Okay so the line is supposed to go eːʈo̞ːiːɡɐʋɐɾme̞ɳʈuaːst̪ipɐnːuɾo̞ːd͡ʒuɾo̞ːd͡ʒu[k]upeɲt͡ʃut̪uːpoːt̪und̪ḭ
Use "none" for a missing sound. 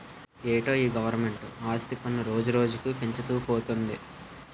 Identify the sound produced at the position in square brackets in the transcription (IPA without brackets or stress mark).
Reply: k